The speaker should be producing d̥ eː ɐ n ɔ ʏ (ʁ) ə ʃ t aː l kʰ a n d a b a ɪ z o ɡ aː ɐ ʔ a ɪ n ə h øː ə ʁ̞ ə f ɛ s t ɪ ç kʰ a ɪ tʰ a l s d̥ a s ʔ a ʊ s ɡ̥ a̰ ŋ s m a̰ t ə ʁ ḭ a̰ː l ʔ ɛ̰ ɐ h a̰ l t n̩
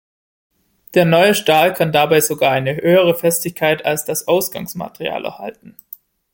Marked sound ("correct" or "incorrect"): incorrect